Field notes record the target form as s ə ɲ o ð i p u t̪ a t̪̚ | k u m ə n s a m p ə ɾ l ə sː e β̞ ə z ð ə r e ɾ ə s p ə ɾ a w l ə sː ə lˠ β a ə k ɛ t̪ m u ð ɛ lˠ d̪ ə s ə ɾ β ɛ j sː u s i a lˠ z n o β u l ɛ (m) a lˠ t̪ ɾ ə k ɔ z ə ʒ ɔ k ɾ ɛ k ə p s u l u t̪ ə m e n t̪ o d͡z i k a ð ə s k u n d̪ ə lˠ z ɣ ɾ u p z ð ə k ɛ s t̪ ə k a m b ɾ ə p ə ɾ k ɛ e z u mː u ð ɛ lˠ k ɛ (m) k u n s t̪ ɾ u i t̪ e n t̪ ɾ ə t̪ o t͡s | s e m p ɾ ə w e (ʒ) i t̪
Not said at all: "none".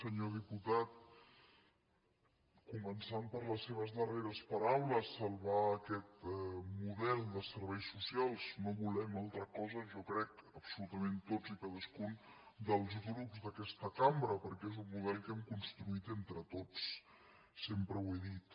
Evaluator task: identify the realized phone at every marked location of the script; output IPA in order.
m, m, ð

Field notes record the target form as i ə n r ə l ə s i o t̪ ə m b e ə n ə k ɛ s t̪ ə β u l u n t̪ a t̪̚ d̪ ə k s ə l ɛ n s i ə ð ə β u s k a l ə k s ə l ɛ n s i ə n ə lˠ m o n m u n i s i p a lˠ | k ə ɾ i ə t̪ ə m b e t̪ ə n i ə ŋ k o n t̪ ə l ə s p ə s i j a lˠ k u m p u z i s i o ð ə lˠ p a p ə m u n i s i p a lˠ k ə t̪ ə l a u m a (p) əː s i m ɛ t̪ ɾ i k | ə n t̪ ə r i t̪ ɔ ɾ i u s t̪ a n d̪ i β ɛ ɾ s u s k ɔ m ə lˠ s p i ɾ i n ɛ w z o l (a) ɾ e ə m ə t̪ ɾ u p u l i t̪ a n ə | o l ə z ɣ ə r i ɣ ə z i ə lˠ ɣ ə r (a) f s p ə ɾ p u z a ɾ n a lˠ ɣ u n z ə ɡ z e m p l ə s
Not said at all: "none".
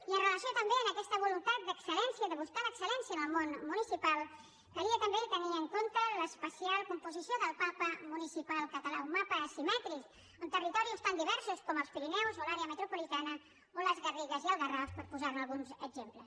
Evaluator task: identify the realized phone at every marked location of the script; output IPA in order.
p, a, a

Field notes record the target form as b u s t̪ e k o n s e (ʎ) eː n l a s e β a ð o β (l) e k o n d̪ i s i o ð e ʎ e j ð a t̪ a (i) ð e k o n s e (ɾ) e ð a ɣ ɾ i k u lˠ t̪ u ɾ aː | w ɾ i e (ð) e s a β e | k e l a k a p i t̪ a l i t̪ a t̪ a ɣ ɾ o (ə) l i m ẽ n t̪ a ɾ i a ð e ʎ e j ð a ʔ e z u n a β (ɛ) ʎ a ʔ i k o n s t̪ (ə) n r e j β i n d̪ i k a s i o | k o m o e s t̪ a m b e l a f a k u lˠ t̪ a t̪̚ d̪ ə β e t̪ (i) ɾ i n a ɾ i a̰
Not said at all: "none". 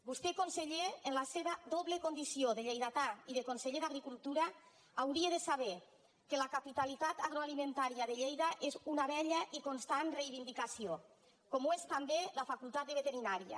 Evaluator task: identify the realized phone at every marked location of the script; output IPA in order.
ʎ, l, i, ʎ, ð, a, ɛ, a, e

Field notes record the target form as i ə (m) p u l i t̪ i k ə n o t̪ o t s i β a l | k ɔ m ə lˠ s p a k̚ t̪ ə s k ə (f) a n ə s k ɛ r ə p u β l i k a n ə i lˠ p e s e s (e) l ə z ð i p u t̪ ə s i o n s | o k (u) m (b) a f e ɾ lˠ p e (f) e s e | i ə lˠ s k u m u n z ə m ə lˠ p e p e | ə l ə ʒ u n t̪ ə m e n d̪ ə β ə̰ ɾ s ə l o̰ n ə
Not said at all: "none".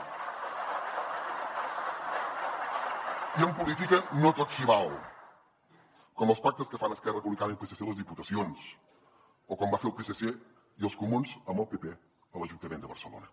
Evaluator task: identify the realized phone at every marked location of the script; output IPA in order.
m, f, e, ɔ, b, s

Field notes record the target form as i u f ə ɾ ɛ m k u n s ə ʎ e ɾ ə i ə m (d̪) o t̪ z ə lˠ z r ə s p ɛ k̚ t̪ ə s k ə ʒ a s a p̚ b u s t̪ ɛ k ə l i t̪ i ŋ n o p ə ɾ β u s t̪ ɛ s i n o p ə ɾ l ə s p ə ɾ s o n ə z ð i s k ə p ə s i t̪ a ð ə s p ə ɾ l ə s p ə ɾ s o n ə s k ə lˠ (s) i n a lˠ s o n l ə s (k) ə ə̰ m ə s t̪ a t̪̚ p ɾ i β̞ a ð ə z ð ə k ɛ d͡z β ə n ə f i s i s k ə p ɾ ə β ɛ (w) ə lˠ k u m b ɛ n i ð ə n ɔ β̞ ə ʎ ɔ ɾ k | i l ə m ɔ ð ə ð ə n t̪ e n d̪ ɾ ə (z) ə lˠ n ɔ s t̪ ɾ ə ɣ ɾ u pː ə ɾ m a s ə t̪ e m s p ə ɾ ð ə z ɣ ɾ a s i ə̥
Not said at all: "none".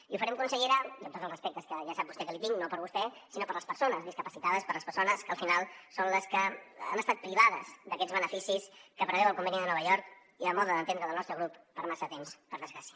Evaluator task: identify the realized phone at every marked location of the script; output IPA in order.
t̪, f, k, w, ð

